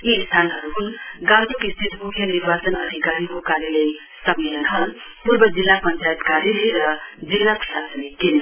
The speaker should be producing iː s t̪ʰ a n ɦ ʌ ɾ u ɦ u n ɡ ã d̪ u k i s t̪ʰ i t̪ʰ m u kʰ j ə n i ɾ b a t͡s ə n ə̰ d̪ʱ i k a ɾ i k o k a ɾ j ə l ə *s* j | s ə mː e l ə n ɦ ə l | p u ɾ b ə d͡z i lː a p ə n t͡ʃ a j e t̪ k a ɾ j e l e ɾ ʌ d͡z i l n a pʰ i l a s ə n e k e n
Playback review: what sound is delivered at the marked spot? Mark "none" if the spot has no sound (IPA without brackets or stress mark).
none